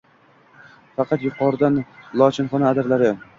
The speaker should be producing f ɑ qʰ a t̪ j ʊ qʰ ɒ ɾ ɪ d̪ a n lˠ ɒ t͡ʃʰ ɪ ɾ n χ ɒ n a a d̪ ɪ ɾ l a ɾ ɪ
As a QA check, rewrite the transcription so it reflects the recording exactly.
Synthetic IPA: f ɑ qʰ ɑ t̪ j ʊ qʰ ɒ ɾ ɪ d̪ a n lˠ ɒ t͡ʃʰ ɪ n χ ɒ n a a d̪ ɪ ɾ l a ɾ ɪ